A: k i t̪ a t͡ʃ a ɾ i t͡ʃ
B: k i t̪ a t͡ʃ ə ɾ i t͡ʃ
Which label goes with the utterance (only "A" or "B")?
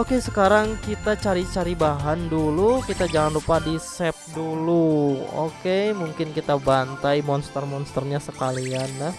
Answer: A